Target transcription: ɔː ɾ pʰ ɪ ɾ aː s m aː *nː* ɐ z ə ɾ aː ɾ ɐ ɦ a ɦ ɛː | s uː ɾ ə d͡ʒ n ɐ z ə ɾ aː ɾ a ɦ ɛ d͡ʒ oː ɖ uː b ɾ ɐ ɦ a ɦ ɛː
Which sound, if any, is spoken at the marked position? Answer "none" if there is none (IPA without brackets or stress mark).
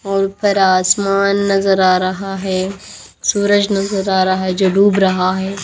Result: nː